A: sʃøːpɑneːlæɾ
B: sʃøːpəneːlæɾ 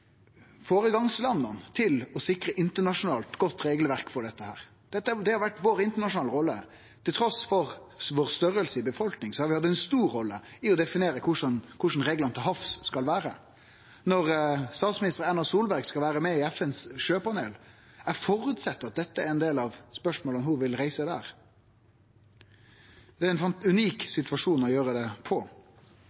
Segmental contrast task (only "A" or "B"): A